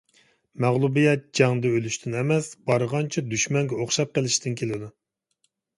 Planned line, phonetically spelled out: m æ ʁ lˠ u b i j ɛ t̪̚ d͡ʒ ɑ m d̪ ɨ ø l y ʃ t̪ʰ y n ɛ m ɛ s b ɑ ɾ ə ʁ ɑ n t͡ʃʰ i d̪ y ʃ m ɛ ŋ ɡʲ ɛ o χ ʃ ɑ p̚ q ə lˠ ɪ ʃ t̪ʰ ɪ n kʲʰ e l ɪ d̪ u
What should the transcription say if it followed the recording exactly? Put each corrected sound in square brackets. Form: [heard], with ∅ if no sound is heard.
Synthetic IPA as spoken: m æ ʁ lˠ u b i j ɛ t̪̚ d͡ʒ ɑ [ŋ] d̪ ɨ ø l y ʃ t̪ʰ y n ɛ m ɛ s b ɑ ɾ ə ʁ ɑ n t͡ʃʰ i d̪ y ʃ m ɛ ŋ ɡʲ ɛ o χ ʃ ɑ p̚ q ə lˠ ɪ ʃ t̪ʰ ɪ n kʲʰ e l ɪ d̪ u